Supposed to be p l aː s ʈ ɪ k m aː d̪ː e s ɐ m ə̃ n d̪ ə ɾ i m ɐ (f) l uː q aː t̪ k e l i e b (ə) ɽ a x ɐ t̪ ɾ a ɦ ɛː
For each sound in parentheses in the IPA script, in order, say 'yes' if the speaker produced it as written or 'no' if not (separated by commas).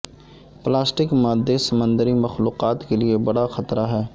no, no